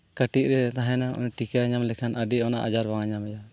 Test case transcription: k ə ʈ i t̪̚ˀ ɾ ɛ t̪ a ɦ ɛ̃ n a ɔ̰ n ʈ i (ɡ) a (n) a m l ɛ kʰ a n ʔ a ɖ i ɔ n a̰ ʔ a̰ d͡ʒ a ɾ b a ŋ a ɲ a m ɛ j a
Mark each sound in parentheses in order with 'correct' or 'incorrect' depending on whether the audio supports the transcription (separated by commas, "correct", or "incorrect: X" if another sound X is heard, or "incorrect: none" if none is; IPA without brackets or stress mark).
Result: incorrect: k, incorrect: ɲ